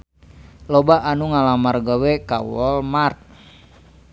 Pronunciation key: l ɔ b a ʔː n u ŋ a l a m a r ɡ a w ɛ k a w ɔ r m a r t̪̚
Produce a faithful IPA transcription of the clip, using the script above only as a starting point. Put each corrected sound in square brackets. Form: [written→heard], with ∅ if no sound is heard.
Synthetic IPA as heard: l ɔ b a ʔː n u ŋ a l a m a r ɡ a w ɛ k a w ɔ [r→l] m a r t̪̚